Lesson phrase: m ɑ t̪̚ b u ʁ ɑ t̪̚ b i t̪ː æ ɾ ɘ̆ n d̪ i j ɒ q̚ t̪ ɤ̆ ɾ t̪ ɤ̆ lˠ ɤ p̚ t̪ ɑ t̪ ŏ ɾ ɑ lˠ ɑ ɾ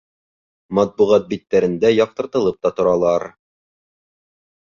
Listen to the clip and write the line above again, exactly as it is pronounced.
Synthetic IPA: m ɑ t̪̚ b u ʁ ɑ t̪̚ b i t̪ː æ ɾ ɘ̆ n d̪ æ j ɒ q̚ t̪ ɤ̆ ɾ t̪ ɤ̆ lˠ ɤ p̚ t̪ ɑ t̪ ŏ ɾ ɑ lˠ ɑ ɾ